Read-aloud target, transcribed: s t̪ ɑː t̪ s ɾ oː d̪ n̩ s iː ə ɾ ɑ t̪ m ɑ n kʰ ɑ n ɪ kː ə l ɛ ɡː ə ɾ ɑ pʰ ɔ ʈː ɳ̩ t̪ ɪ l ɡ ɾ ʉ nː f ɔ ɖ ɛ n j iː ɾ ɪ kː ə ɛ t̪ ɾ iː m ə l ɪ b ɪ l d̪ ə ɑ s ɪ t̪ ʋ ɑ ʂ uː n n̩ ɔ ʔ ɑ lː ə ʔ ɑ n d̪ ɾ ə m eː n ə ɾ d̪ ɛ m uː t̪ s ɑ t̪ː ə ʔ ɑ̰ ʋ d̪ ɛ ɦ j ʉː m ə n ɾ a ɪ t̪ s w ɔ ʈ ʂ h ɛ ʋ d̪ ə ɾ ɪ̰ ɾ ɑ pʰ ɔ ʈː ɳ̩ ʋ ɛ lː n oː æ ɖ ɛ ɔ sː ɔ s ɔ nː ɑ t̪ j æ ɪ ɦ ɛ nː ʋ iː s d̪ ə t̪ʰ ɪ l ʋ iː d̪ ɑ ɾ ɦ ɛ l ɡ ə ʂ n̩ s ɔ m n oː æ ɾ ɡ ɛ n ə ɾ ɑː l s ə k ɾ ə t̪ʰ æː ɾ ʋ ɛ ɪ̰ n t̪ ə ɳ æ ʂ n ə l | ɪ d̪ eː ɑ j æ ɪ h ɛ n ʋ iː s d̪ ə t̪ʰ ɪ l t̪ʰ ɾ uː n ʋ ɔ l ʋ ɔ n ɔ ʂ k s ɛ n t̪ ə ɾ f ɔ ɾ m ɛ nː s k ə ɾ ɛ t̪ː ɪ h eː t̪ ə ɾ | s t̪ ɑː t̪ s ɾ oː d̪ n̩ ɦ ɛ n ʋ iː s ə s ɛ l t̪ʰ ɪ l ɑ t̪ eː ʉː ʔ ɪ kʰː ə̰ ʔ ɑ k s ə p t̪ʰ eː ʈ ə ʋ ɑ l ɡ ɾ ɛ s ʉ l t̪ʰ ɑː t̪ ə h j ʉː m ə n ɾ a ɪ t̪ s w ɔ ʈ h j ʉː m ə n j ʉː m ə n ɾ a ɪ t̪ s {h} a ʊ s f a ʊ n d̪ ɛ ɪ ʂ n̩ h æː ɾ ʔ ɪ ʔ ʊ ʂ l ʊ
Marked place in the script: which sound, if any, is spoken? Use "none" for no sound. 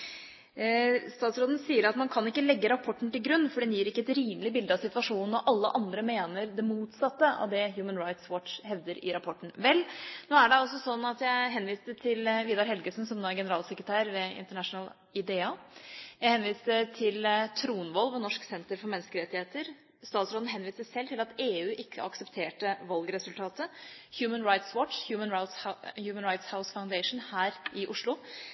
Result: h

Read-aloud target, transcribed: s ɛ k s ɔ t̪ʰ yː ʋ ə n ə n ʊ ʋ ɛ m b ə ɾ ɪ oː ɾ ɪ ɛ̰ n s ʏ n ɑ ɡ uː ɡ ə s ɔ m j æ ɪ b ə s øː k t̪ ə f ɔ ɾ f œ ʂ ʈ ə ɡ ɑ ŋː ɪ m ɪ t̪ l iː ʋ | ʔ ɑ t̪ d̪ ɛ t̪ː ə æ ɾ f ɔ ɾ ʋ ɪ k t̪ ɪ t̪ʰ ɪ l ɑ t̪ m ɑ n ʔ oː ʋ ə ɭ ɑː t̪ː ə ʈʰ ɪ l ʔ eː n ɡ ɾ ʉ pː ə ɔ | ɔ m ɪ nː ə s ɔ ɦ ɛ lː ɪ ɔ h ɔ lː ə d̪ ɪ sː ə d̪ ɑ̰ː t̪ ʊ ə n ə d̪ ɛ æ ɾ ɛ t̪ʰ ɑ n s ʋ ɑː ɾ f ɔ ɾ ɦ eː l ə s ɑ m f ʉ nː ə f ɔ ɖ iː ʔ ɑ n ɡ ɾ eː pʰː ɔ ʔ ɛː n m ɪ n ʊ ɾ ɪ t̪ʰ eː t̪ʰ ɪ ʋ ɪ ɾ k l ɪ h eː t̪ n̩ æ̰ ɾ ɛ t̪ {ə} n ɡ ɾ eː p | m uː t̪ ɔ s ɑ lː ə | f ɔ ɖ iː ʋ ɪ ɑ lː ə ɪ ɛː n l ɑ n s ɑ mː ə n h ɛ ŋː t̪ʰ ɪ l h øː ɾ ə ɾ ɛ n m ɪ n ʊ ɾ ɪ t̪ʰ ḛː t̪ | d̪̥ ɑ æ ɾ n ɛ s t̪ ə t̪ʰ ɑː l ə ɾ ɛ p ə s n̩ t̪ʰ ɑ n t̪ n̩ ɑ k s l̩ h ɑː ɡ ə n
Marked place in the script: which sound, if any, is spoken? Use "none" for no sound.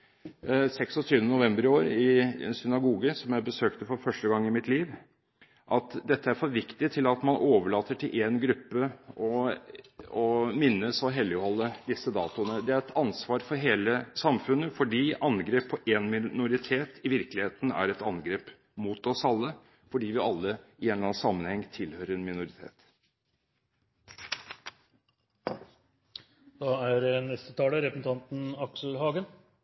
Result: ɑ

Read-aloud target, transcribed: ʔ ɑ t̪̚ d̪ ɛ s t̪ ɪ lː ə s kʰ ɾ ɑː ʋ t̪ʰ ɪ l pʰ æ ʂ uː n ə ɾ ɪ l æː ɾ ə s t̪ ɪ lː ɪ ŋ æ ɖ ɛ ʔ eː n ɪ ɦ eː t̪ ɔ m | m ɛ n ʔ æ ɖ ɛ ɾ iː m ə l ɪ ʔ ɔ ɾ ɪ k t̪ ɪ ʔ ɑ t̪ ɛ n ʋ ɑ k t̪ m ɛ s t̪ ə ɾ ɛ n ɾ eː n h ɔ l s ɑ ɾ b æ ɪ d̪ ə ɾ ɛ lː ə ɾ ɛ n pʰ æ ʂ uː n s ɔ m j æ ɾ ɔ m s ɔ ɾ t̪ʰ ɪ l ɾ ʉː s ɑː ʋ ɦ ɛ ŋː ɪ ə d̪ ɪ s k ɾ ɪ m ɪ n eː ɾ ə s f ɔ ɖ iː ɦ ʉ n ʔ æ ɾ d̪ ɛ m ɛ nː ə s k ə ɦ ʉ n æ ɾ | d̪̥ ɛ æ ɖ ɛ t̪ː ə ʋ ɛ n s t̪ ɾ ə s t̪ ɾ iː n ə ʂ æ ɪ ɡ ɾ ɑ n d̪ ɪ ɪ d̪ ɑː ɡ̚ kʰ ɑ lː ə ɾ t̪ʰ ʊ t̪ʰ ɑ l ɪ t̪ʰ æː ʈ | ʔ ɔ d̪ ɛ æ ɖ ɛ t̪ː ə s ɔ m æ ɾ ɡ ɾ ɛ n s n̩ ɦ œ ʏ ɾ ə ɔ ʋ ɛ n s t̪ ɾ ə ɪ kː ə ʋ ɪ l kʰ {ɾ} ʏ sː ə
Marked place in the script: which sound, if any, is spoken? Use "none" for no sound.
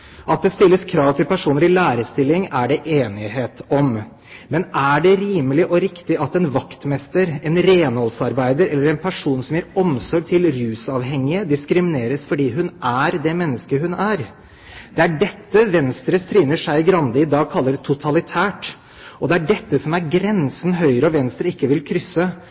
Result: ɾ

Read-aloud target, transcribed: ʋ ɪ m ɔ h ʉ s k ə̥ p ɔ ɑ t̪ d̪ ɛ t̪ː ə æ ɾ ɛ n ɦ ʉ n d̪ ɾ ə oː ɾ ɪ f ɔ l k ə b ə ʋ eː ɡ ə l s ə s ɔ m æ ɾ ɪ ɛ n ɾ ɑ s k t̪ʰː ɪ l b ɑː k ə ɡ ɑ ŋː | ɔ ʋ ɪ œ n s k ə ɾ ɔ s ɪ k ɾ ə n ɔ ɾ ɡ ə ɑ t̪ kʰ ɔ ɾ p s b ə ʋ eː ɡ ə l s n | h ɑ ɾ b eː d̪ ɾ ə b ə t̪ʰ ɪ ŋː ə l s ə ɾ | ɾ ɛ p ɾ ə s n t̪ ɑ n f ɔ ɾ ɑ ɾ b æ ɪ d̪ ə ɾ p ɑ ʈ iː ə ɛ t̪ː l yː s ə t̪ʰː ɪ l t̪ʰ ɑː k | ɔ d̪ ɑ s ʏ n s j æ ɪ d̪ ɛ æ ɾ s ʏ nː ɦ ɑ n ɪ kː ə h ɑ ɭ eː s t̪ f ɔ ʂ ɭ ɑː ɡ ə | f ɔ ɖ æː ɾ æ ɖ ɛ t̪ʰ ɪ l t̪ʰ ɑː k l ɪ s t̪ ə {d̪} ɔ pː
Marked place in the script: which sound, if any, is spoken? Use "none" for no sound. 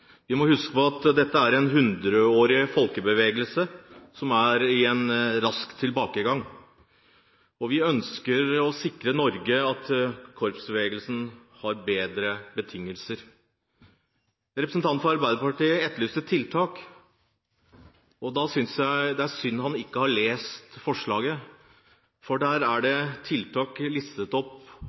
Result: t̪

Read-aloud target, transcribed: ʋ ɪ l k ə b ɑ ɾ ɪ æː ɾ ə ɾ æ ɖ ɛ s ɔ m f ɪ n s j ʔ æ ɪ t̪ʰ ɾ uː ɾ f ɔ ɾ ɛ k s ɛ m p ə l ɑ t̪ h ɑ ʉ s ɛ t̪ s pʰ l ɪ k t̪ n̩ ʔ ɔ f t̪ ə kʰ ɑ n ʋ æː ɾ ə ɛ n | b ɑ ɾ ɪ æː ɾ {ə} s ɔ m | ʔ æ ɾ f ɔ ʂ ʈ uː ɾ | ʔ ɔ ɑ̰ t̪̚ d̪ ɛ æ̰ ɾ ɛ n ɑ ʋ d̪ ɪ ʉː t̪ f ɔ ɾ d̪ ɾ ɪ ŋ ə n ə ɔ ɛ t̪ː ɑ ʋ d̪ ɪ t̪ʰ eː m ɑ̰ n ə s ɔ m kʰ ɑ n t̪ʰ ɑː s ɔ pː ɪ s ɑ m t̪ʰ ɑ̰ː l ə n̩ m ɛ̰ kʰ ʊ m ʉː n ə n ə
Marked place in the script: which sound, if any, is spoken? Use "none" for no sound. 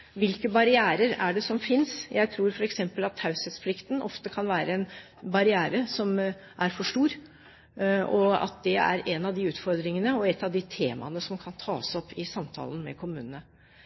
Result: ə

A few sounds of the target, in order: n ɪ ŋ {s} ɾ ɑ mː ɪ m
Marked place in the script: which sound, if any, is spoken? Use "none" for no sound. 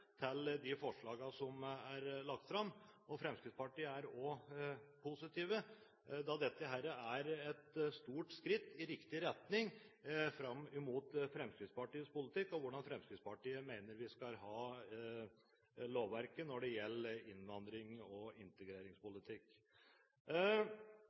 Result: f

